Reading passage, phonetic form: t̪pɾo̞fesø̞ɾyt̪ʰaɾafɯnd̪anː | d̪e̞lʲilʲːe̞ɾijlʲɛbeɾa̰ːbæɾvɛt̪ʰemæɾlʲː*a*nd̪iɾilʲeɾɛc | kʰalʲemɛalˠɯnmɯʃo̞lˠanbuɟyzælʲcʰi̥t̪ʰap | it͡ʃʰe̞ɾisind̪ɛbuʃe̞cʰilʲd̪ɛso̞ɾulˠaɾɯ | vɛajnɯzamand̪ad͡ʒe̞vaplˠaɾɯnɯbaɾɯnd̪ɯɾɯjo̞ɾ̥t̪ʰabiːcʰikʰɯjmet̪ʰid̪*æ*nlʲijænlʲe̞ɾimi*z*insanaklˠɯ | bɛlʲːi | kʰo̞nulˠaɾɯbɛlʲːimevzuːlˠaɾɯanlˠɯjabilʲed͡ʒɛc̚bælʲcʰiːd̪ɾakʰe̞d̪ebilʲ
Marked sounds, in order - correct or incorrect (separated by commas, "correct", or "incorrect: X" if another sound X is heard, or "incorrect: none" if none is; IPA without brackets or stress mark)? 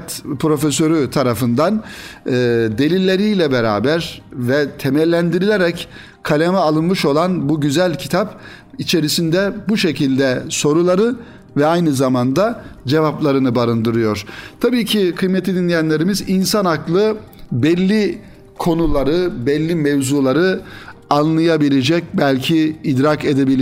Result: incorrect: æ, incorrect: i, correct